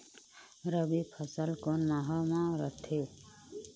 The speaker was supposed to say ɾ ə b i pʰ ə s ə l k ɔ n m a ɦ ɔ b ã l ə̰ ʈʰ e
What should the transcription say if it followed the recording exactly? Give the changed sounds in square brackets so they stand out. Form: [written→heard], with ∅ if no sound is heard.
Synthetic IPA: ɾ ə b i pʰ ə s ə l k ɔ n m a ɦ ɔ [b→m] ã [l→ɾ] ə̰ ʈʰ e